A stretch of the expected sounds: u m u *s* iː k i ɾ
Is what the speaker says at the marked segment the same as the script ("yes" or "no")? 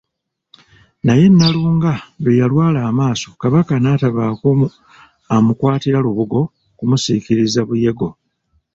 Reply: yes